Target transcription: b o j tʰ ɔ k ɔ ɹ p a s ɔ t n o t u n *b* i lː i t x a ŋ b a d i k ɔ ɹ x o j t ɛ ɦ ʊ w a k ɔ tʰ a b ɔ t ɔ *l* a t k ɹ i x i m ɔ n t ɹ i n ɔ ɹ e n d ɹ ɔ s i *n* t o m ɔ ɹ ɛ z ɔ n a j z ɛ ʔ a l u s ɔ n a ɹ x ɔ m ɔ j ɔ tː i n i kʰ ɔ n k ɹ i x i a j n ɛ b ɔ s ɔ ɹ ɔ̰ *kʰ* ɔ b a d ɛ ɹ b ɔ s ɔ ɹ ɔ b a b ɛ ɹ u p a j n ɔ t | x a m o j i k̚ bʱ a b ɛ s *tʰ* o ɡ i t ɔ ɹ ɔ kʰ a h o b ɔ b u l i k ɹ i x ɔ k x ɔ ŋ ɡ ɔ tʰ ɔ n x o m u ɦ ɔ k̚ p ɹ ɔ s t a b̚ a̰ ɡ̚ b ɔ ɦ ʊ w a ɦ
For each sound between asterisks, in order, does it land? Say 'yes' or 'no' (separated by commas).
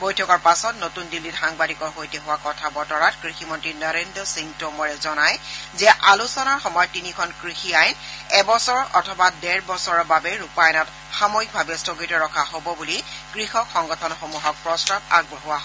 no, no, no, no, no